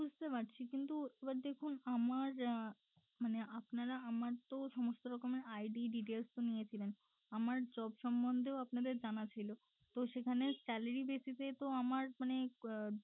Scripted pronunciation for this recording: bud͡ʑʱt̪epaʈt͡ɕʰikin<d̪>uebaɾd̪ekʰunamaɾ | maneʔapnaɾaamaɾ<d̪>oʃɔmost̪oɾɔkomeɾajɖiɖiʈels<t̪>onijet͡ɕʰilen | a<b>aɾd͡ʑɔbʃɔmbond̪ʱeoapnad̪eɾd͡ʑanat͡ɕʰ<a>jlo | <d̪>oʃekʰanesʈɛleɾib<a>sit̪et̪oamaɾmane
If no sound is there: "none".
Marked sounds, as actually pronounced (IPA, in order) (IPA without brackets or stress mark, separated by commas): t̪, t̪, t̪, m, a, t̪, e